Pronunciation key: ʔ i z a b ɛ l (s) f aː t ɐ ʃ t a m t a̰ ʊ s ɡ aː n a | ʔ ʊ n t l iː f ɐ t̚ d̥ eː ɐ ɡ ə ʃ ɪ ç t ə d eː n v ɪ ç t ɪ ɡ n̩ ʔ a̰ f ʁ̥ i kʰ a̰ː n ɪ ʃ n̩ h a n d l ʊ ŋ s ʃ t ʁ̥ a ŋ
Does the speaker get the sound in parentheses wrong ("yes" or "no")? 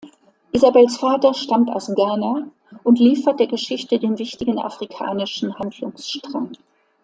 no